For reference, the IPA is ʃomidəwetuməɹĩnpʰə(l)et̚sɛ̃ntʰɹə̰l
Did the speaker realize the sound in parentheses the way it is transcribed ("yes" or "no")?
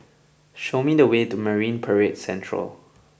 no